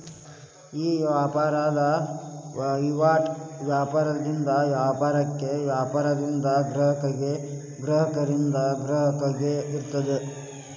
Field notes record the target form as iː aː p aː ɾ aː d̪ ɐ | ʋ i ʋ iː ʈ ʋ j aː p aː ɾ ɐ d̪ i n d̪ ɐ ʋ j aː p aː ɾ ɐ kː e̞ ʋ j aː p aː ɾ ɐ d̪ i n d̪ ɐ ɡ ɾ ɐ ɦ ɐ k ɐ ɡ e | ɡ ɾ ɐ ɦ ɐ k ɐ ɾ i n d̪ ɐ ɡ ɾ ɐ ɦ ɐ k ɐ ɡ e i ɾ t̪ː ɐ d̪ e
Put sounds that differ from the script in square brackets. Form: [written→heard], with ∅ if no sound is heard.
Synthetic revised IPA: iː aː p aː ɾ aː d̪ ɐ | ʋ i ʋ [iː→aː] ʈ ʋ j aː p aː ɾ ɐ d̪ i n d̪ ɐ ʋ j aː p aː ɾ ɐ kː e̞ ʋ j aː p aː ɾ ɐ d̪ i n d̪ ɐ ɡ ɾ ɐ ɦ ɐ k ɐ ɡ e | ɡ ɾ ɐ ɦ ɐ k ɐ ɾ i n d̪ ɐ ɡ ɾ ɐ ɦ ɐ k ɐ ɡ e i ɾ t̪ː ɐ d̪ e